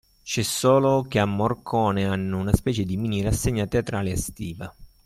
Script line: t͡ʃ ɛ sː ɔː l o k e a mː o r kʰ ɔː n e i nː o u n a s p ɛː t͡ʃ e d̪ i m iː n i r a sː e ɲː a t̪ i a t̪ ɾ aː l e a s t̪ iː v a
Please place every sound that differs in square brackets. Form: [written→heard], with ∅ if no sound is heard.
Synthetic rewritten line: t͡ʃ ɛ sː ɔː l o k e a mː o r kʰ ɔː n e [i→a] nː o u n a s p ɛː t͡ʃ e d̪ i m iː n i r a sː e ɲː a t̪ [i→e] a t̪ ɾ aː l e a s t̪ iː v a